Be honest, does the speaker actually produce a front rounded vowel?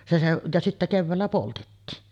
no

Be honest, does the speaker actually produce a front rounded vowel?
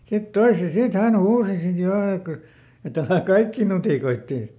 yes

